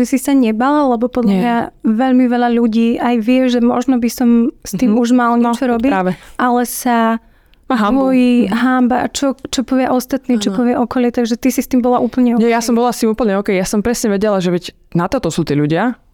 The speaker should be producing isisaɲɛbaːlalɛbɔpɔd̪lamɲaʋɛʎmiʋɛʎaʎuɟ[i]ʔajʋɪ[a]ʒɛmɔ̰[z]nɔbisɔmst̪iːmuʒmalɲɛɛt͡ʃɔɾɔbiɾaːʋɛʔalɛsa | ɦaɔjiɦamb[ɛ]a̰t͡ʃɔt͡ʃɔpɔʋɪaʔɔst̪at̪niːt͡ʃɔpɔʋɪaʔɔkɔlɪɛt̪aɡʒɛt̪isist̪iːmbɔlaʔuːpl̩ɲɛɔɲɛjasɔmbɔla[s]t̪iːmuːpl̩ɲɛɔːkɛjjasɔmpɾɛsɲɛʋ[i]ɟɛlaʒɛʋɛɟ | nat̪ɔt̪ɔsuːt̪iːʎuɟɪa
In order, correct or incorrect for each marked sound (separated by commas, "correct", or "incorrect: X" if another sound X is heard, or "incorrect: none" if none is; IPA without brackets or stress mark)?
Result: incorrect: iː, incorrect: ɛ, incorrect: ʒ, incorrect: a, correct, incorrect: ɛ